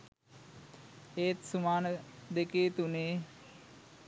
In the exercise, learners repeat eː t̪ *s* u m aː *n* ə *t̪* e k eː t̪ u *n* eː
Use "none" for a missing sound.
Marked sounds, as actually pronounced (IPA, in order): s, n, d̪, n

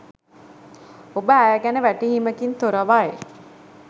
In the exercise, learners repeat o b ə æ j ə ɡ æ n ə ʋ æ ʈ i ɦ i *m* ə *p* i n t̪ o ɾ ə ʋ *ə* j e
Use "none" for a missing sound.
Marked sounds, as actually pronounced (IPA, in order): m, k, a

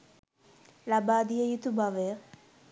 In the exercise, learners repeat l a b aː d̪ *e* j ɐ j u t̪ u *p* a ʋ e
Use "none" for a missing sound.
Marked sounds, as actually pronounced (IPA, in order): i, b

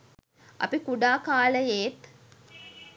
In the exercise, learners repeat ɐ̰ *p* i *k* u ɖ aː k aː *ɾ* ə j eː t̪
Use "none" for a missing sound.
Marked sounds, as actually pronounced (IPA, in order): p, k, l

